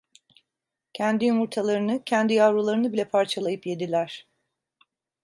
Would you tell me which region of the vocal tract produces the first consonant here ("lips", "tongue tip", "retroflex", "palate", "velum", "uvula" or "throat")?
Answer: palate